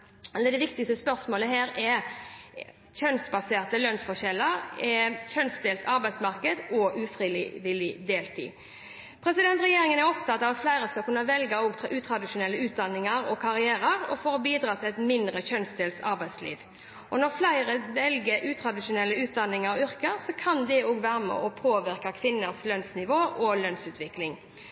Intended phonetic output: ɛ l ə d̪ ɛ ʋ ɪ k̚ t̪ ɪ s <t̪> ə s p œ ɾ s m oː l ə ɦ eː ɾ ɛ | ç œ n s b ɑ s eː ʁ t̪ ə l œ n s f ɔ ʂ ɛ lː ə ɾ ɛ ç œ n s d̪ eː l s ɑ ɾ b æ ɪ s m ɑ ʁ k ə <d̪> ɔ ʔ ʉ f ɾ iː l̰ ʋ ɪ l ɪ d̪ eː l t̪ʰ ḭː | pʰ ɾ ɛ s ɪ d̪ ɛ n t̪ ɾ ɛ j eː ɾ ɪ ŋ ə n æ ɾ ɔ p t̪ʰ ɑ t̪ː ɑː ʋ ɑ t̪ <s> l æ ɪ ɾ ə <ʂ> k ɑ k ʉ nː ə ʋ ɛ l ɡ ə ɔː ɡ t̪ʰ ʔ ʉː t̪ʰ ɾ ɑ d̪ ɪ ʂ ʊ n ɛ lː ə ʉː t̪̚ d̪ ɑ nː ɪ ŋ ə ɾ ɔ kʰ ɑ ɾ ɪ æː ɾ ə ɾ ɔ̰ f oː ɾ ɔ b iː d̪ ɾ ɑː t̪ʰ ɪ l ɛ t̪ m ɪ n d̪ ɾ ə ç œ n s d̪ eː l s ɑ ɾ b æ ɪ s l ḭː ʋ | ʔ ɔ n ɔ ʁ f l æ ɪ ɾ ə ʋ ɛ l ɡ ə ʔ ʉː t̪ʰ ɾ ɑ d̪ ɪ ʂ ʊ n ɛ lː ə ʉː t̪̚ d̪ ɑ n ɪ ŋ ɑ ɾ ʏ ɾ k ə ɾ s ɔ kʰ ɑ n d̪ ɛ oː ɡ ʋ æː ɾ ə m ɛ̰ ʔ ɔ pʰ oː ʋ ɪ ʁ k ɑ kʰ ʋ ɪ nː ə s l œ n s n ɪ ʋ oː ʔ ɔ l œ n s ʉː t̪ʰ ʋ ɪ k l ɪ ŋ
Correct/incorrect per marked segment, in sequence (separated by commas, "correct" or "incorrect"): correct, correct, incorrect, incorrect